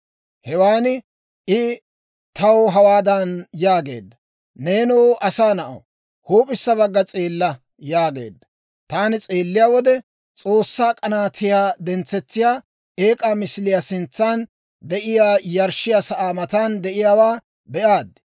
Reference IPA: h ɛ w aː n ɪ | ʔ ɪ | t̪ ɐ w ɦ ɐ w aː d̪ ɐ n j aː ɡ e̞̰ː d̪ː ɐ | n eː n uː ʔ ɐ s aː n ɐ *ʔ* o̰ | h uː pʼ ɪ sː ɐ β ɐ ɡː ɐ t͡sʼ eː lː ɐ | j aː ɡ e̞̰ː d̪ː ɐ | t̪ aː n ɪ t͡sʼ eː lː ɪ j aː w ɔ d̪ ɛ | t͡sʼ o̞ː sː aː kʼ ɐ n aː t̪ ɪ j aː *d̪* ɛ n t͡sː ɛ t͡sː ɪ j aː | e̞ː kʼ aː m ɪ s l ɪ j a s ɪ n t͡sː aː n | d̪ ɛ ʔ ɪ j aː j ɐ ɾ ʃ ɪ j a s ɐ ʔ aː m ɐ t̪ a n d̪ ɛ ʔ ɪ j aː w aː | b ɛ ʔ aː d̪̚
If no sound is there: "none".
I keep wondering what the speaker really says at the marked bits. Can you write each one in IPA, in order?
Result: ʔ, d̪

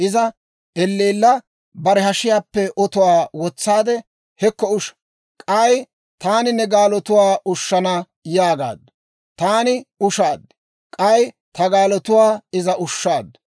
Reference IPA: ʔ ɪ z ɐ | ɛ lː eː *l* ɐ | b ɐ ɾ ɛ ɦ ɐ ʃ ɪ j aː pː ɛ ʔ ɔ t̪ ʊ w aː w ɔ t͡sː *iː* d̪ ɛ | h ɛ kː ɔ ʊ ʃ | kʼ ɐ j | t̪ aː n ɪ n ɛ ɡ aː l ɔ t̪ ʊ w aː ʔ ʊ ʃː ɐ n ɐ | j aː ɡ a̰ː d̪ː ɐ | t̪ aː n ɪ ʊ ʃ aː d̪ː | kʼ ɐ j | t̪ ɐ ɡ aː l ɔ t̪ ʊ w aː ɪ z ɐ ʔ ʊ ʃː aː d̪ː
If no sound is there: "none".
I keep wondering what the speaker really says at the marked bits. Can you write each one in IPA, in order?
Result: lː, aː

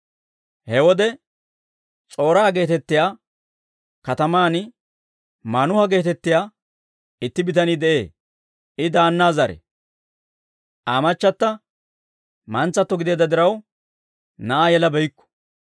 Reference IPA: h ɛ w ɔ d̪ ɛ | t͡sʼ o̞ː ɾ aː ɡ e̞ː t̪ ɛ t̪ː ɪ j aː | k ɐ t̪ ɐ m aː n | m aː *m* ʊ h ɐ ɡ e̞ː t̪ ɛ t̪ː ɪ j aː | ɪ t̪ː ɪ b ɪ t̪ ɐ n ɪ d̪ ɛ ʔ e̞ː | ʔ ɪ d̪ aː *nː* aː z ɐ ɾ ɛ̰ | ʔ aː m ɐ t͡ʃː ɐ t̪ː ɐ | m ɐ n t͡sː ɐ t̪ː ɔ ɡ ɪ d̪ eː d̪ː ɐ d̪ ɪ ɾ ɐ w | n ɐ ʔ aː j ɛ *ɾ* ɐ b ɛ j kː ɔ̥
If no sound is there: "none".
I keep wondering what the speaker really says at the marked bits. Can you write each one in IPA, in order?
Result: n, nː, l

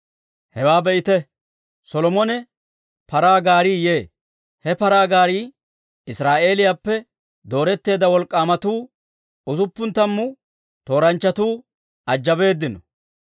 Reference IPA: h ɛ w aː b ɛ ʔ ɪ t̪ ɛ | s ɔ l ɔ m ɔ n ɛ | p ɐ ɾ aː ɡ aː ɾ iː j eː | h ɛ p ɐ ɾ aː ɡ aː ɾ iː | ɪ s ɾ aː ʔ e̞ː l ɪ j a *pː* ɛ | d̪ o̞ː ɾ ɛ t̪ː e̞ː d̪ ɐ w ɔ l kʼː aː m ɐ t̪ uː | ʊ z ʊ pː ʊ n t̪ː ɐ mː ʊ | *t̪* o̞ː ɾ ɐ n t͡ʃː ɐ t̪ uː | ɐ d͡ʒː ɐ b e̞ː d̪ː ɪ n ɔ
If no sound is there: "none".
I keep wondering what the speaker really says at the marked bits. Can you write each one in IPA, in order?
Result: pː, t̪

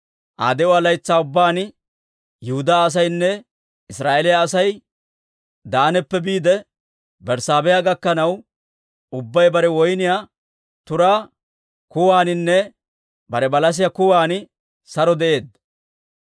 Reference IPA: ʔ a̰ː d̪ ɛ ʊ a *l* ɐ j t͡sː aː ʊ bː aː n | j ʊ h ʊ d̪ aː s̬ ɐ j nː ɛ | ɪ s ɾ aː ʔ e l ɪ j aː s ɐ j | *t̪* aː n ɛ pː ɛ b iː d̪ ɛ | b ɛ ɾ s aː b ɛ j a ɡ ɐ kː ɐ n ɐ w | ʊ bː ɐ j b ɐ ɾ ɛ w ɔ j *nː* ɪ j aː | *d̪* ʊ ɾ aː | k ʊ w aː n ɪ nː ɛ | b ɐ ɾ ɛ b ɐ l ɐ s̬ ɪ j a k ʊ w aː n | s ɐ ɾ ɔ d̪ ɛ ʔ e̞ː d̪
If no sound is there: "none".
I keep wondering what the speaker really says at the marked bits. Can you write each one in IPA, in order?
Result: l, d̪, n, t̪

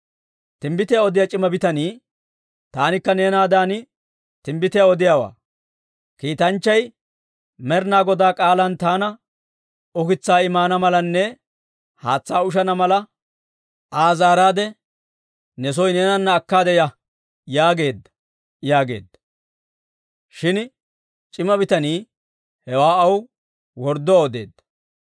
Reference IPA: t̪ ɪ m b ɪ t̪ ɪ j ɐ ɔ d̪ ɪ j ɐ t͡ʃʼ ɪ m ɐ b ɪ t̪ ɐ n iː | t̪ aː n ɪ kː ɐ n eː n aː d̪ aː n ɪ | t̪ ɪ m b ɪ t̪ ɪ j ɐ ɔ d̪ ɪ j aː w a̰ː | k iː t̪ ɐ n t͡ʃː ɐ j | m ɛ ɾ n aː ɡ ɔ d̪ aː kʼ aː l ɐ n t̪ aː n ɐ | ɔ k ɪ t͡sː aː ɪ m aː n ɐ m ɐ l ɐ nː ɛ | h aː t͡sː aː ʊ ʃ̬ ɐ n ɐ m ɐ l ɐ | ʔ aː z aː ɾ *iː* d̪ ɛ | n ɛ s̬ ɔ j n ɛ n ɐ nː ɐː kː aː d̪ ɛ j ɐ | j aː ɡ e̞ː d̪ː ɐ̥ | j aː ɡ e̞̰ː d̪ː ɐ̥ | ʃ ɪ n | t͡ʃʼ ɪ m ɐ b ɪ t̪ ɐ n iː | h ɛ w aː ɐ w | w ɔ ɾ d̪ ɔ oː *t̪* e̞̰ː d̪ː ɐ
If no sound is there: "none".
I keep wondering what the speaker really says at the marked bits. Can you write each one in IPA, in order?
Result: aː, d̪

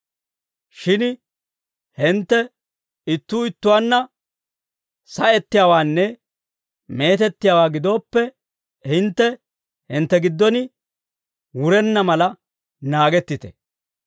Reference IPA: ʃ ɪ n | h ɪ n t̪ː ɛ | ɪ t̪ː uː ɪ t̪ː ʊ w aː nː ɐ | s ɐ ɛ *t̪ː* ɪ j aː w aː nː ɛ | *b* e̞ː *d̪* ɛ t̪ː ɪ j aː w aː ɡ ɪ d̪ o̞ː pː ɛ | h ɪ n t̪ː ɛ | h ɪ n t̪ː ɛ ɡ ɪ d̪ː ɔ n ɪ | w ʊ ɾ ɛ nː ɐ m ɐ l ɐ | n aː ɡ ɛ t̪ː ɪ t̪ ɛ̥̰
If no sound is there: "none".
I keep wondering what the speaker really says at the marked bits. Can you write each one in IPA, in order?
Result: t̪ː, m, t̪

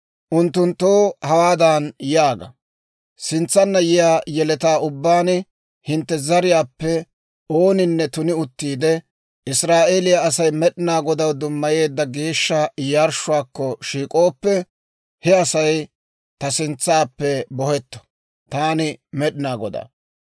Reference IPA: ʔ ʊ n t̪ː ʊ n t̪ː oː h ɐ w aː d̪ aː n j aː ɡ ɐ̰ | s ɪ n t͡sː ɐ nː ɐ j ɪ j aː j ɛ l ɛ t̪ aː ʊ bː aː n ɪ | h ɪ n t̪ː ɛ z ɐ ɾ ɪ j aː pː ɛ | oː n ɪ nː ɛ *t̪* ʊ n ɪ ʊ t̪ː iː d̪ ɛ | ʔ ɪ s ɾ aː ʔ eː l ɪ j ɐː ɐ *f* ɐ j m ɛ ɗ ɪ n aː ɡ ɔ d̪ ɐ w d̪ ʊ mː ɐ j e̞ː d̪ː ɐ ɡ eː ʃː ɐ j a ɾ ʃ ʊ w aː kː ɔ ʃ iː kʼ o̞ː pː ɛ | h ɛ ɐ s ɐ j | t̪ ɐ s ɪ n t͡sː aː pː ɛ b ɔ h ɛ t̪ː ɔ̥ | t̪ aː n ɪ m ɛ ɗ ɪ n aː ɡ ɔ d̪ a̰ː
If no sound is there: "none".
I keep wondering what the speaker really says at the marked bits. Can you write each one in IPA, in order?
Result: t̪, s

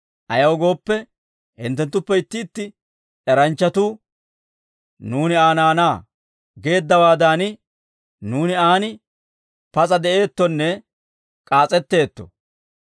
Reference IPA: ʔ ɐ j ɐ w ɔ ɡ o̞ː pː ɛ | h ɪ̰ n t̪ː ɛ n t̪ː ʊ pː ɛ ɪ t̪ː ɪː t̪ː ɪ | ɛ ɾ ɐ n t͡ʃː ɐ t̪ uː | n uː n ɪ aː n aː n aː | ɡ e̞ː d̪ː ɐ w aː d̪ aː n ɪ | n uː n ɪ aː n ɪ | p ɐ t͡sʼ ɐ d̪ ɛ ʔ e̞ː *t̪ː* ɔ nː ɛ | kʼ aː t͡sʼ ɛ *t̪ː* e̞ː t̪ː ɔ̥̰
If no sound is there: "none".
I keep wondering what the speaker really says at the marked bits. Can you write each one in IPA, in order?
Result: t̪ː, t̪ː

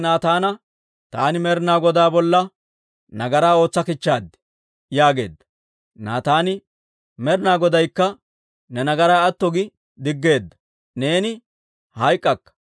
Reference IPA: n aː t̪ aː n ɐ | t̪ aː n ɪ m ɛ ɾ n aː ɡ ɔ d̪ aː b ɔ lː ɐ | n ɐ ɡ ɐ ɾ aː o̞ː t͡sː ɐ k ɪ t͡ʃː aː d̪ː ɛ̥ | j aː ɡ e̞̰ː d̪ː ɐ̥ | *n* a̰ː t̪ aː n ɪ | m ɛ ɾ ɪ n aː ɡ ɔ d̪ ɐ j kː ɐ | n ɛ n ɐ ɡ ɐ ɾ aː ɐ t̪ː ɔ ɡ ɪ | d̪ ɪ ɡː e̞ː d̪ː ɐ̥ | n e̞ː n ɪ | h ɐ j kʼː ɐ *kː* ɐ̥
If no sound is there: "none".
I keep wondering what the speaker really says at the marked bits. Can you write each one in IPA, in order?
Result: n, kː

